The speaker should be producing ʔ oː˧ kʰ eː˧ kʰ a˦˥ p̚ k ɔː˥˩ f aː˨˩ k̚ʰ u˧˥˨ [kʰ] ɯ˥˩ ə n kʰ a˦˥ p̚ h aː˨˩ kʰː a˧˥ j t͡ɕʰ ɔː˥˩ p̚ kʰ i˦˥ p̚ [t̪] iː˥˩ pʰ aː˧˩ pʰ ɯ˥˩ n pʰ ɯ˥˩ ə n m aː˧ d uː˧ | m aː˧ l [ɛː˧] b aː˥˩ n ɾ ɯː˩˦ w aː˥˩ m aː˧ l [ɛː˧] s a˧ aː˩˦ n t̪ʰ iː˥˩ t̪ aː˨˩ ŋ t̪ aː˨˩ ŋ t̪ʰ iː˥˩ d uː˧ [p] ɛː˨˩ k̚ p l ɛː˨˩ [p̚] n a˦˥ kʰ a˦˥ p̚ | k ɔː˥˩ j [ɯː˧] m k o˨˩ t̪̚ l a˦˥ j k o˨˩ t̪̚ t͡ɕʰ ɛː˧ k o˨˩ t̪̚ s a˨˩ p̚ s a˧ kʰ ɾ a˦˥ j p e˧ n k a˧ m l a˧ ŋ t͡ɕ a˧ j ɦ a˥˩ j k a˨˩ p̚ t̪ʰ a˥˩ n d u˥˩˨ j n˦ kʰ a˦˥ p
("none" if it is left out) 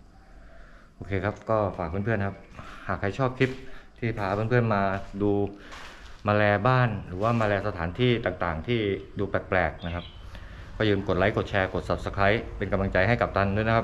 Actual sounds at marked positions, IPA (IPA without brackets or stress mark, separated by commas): pʰ, t̪ʰ, ɛː˧, ɛː˧, p, k̚, ɯː˧